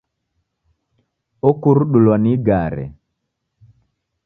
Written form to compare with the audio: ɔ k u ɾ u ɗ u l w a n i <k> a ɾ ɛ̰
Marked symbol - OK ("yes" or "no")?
no